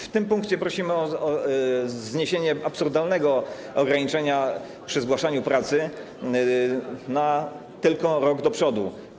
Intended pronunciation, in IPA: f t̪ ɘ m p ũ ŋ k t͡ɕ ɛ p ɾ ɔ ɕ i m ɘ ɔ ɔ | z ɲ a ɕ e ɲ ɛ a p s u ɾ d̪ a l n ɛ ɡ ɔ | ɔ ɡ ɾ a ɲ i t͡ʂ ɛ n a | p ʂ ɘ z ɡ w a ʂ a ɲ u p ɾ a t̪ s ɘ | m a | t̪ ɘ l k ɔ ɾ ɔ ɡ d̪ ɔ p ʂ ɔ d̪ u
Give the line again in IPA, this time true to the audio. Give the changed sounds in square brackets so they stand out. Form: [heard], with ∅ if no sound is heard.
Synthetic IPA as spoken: f t̪ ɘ m p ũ ŋ k t͡ɕ ɛ p ɾ ɔ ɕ i m ɘ ɔ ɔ | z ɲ [e] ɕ e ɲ ɛ a p s u ɾ d̪ a l n ɛ ɡ ɔ | ɔ ɡ ɾ a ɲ i t͡ʂ ɛ [ɲ] a | p ʂ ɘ z ɡ w a ʂ a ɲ u p ɾ a t̪ s ɘ | [n] a | t̪ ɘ l k ɔ ɾ ɔ ɡ d̪ ɔ p ʂ ɔ d̪ u